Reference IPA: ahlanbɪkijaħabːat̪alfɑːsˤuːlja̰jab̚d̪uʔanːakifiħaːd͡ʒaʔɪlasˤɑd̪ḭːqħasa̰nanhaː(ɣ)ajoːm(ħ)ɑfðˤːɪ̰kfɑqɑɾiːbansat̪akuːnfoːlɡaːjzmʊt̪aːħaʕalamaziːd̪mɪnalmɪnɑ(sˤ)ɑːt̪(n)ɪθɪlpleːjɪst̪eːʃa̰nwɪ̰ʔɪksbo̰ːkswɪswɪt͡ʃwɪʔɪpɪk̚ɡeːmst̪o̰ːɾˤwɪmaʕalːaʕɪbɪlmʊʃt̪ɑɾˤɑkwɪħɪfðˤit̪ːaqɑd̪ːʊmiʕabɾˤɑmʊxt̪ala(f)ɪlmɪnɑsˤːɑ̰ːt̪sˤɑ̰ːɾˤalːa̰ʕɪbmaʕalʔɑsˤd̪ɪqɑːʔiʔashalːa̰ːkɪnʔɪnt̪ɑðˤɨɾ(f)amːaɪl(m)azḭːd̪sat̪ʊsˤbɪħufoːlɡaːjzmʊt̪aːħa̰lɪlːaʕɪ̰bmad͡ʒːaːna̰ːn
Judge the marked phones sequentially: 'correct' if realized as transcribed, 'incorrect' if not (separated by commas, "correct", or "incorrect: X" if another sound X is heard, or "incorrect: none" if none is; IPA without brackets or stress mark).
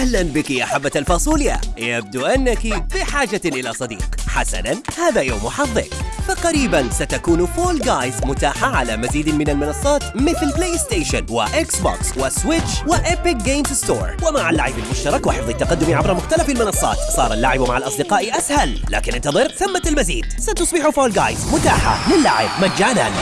incorrect: ð, correct, incorrect: sˤː, incorrect: m, correct, incorrect: θ, correct